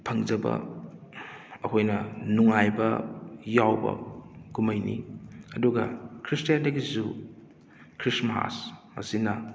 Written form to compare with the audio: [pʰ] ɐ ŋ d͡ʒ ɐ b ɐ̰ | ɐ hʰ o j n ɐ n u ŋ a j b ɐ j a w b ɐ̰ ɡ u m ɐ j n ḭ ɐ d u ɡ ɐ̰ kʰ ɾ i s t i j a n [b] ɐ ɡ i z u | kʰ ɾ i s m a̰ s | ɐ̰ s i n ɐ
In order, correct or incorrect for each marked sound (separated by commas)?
correct, incorrect